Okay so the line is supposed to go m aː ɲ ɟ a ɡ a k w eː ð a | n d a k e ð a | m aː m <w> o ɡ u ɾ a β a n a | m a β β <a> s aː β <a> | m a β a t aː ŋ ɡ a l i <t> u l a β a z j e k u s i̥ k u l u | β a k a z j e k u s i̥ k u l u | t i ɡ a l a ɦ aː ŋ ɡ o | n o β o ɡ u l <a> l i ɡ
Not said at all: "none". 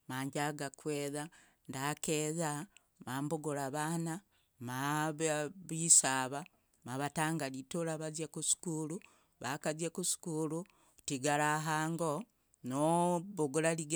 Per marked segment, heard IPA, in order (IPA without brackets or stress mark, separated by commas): b, i, a, t, a